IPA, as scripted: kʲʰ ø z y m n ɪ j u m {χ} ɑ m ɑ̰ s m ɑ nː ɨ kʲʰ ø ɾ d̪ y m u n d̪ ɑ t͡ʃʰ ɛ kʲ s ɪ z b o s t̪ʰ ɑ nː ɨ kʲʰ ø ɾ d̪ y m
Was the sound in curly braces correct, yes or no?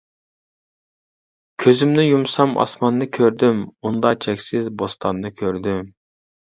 no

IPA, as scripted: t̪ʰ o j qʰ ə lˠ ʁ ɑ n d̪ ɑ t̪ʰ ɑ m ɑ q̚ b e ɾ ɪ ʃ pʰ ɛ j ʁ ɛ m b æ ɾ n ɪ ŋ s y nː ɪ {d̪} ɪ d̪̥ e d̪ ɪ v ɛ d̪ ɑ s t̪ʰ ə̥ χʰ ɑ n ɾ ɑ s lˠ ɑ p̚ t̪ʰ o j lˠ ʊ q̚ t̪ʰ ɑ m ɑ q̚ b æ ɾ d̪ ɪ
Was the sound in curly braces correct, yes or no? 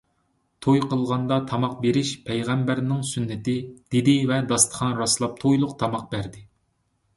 no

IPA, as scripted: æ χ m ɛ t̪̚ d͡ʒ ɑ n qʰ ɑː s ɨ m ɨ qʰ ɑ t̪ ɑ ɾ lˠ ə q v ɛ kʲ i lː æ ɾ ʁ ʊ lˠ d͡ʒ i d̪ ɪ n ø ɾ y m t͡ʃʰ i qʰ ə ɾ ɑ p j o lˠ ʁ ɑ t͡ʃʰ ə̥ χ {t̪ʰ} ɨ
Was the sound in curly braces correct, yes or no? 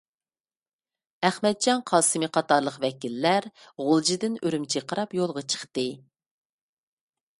no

